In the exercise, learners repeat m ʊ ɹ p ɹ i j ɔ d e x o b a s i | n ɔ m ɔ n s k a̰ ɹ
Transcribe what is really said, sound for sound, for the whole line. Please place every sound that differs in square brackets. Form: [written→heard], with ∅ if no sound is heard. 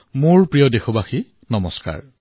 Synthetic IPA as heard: m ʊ ɹ p ɹ i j ɔ d e x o b a [s→x] i | n ɔ m ɔ [n→∅] s k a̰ ɹ

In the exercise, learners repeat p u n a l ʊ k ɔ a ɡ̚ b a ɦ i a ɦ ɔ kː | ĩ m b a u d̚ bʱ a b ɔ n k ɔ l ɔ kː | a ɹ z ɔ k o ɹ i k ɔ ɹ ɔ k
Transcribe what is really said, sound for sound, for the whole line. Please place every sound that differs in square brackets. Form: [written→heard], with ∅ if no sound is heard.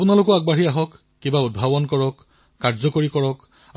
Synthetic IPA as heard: p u n a l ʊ k ɔ a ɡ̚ b a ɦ i a ɦ ɔ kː | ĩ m b a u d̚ bʱ a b ɔ n k ɔ [l→ɹ] ɔ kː | a ɹ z ɔ k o ɹ i k ɔ ɹ ɔ k

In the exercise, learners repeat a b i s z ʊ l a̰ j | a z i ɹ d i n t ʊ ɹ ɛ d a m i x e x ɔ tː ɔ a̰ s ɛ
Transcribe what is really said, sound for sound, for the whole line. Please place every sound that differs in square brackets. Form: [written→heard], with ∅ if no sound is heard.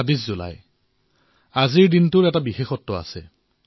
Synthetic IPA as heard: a b i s z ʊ l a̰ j | a z i ɹ d i n t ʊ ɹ ɛ [d→t] a [m→b] i x e x ɔ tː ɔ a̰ s ɛ

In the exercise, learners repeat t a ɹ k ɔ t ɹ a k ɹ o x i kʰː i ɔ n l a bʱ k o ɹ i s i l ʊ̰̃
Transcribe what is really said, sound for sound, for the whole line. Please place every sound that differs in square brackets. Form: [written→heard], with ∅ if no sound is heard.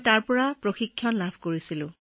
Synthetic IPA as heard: t a ɹ [k→p] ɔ [t→∅] ɹ a [k→p] ɹ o x i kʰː [i→j] ɔ n l a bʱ k o ɹ i s i l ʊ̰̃

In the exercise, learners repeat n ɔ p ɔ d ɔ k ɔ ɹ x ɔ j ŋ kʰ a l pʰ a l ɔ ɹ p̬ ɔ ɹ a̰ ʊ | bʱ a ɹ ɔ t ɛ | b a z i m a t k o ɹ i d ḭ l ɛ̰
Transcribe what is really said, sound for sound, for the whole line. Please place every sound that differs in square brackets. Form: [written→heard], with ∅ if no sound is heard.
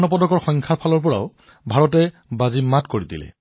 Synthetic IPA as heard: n ɔ p ɔ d ɔ k ɔ ɹ x ɔ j ŋ kʰ a [l→ɹ] pʰ a l ɔ ɹ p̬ ɔ ɹ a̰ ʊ | bʱ a ɹ ɔ t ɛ | b a z i m a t k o ɹ i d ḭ l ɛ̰

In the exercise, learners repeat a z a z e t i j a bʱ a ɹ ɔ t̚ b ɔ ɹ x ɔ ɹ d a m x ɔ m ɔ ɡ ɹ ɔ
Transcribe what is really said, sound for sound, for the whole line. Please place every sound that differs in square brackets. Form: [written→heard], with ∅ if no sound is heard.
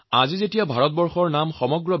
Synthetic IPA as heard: a z [a→i] z e t i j a bʱ a ɹ ɔ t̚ b ɔ ɹ x ɔ ɹ [d→n] a m x ɔ m ɔ ɡ ɹ ɔ

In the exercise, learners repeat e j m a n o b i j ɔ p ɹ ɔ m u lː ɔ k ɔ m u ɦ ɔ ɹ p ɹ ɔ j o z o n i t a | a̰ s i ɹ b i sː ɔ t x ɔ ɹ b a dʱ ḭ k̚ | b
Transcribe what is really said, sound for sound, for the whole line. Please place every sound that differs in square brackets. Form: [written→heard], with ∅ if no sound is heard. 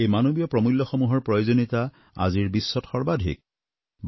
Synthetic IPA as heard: e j m a n o b i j ɔ p ɹ ɔ m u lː ɔ [k→x] ɔ m u ɦ ɔ ɹ p ɹ ɔ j o z o n i t a | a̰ [s→z] i ɹ b i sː ɔ t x ɔ ɹ b a dʱ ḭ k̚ | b

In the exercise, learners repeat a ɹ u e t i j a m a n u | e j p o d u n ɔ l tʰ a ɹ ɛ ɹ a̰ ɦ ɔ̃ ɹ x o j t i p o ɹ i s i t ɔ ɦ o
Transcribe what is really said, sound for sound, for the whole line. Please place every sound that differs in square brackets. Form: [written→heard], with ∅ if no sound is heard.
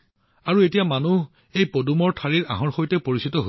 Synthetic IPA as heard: a ɹ u e t i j a m a n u | e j p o d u [n→m] ɔ [l→ɹ] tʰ a ɹ [ɛ→i] ɹ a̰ ɦ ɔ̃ ɹ x o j t [i→ɛ] p o ɹ i s i t ɔ ɦ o

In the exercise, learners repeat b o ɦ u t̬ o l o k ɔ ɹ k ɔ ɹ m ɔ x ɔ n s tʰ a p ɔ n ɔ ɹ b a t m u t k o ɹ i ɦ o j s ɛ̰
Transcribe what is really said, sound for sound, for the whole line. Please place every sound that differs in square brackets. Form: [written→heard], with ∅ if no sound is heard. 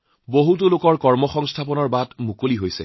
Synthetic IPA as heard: b o ɦ u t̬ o l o k ɔ ɹ k ɔ ɹ m ɔ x ɔ [n→ŋ] s tʰ a p ɔ n ɔ ɹ b a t m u [t→∅] k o [ɹ→l] i ɦ o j s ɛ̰

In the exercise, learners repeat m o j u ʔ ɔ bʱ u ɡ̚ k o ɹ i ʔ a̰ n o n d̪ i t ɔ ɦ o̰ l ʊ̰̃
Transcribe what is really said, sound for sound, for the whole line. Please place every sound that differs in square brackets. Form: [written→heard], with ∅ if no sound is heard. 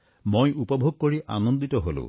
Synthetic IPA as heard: m o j u [ʔ→p] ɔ bʱ [u→o] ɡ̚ k o ɹ i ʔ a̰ n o n d̪ i t ɔ ɦ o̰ l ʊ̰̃

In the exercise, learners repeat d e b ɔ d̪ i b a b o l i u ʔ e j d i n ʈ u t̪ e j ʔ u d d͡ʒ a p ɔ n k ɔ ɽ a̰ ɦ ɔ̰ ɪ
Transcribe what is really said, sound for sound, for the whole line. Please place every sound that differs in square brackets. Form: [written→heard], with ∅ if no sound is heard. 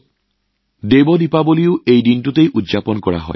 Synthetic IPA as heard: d e b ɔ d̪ i [b→p] a b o l i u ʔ e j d i n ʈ u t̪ e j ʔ u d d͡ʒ a p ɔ n k ɔ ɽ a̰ ɦ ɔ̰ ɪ

